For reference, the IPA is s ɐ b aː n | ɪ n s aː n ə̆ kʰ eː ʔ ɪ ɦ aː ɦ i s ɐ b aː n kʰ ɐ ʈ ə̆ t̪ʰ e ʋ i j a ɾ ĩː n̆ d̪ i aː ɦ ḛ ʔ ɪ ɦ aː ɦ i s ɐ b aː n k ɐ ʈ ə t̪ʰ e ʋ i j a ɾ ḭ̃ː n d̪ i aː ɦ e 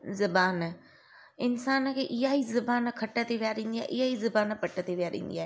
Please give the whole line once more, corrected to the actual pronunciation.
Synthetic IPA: z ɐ b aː n | ɪ n s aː n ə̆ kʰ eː ʔ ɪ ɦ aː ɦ i z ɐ b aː n kʰ ɐ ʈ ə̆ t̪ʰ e ʋ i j a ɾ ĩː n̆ d̪ i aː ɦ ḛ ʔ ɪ ɦ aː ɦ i z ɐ b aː n p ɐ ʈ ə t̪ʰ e ʋ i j a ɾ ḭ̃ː n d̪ i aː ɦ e